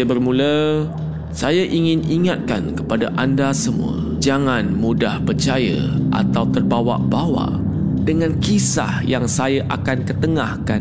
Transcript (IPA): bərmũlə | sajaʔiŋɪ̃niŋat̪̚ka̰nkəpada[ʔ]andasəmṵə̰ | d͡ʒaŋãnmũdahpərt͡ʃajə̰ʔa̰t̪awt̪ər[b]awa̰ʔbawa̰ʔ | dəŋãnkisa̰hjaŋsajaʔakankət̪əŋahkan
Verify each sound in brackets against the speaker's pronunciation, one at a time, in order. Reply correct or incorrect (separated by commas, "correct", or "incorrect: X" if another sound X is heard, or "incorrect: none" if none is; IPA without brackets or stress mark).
correct, correct